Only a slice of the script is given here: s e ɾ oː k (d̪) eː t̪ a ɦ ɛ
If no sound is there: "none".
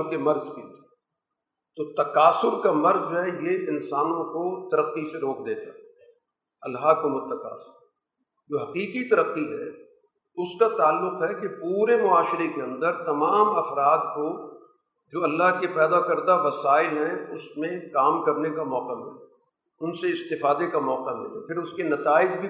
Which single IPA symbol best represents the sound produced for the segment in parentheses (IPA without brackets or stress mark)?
d̪